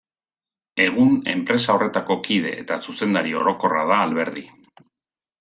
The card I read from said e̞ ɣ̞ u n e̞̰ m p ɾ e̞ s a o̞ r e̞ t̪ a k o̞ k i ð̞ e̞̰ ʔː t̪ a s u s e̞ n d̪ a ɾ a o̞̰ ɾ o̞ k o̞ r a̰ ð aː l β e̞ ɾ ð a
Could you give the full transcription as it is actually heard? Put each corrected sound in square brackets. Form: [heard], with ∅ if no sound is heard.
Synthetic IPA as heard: e̞ ɣ̞ u n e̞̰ m p ɾ e̞ s a o̞ r e̞ t̪ a k o̞ k i ð̞ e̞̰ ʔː t̪ a s u s e̞ n d̪ a ɾ [i] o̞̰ ɾ o̞ k o̞ r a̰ ð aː l β e̞ ɾ ð [i]